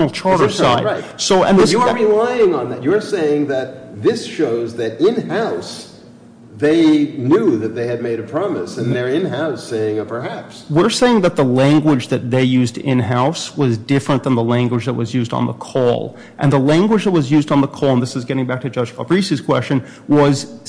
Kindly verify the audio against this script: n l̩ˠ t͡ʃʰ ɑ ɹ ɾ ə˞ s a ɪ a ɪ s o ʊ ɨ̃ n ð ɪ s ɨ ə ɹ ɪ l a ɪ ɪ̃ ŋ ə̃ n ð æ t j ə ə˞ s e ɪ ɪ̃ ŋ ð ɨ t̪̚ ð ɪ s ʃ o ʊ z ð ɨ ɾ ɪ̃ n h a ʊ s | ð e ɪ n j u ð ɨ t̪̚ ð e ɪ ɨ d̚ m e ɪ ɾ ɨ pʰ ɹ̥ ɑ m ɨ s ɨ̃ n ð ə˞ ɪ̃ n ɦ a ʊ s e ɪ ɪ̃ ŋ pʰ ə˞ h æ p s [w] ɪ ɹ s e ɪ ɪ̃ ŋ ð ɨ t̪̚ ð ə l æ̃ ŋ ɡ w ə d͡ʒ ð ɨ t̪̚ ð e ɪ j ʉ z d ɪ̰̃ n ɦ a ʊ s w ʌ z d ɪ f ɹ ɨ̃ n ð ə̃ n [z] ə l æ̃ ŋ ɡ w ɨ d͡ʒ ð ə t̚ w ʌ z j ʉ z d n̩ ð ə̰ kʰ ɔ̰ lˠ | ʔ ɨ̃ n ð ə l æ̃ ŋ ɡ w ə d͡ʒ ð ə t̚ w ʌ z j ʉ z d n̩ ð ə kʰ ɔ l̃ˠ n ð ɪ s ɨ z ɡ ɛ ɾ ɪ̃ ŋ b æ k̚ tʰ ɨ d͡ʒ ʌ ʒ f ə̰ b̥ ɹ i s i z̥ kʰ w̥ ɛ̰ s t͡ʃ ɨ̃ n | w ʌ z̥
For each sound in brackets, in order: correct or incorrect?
correct, incorrect

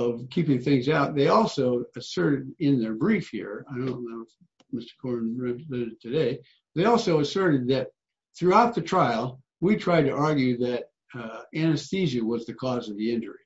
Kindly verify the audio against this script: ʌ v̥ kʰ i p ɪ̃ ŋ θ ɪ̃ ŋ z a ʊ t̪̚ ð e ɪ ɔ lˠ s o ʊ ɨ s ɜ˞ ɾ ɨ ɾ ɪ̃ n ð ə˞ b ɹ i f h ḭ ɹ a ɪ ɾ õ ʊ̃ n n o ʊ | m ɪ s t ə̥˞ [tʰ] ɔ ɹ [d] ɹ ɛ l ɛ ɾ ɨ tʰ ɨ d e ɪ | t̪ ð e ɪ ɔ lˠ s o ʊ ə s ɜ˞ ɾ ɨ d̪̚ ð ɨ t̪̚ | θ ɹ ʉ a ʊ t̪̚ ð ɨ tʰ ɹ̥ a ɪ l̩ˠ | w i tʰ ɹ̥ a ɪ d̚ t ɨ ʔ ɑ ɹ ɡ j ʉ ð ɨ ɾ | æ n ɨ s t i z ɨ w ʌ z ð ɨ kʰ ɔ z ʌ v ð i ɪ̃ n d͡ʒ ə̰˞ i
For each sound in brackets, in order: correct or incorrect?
incorrect, incorrect

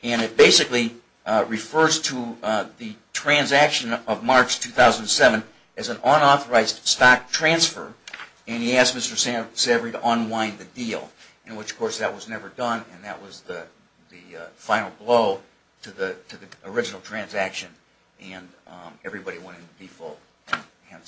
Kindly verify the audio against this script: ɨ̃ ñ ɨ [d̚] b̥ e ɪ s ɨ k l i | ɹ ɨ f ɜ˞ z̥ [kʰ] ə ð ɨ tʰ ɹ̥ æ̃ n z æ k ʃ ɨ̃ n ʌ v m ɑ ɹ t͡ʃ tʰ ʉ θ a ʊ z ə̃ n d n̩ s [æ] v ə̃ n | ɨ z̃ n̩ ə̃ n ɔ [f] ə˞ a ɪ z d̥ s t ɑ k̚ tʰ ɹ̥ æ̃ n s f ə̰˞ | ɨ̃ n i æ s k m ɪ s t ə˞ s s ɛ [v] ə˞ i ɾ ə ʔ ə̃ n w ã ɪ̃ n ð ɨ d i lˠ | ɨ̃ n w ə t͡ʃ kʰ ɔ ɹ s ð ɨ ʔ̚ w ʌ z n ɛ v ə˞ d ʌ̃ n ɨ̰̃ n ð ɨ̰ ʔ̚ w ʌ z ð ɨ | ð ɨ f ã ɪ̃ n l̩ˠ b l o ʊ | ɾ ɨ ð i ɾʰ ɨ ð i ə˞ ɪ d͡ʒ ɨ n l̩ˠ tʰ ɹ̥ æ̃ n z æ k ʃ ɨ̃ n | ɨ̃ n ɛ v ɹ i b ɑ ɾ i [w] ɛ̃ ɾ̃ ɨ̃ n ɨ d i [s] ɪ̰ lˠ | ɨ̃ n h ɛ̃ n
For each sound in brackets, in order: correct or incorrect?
incorrect, incorrect, incorrect, incorrect, correct, correct, incorrect

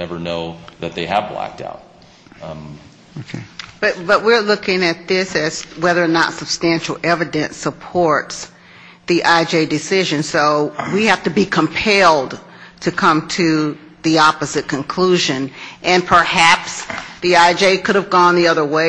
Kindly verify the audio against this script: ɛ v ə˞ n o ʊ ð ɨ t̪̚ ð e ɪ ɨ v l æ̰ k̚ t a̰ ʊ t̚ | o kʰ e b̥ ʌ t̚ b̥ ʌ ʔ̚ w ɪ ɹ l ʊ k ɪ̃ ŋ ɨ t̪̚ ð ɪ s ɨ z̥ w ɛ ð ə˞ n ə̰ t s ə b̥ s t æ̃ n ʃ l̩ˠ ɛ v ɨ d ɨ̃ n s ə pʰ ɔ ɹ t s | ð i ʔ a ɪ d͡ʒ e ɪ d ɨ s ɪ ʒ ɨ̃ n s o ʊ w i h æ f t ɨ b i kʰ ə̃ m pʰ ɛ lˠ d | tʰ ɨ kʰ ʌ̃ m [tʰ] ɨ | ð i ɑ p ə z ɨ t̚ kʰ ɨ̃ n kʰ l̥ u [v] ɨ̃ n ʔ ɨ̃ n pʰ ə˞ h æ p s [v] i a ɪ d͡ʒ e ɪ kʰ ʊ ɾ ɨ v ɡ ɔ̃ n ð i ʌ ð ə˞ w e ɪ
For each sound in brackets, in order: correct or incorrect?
correct, incorrect, incorrect

